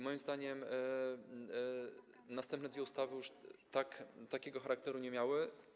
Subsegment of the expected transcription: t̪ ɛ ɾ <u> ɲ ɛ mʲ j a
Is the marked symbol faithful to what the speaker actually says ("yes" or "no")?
yes